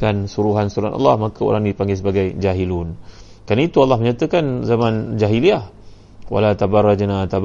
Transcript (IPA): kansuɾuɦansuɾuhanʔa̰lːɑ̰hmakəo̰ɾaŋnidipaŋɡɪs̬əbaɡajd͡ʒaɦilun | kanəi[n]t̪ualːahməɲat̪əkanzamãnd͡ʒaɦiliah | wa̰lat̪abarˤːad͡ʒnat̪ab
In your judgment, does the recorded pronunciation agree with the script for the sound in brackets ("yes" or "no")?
no